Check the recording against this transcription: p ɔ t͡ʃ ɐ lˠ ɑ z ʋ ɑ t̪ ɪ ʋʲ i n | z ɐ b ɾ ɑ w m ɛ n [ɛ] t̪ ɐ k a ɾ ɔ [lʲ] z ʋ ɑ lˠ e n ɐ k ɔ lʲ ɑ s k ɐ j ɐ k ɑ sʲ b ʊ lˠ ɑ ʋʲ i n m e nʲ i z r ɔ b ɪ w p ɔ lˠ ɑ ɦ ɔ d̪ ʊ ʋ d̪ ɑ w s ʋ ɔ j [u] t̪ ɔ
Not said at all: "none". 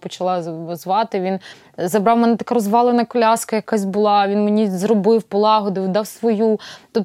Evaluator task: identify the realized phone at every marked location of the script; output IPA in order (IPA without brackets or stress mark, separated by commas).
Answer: ɛ, none, u